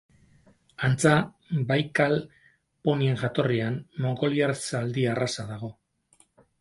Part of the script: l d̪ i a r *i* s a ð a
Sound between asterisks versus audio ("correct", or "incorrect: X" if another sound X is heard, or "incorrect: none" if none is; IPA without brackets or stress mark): incorrect: a